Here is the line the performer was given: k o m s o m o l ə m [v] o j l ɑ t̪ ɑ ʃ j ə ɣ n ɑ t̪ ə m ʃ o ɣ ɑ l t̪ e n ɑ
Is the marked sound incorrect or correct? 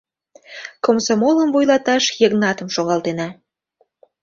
correct